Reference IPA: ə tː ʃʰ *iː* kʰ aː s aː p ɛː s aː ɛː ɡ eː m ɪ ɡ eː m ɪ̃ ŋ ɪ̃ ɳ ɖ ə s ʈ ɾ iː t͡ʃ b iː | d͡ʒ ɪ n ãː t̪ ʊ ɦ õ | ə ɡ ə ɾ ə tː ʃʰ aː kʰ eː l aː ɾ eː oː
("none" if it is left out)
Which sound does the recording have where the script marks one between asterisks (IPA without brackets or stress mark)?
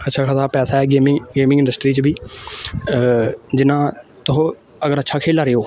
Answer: aː